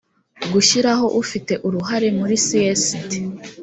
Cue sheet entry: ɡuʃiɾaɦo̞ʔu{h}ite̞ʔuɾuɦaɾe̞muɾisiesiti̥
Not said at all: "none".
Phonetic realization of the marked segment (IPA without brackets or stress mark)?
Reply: f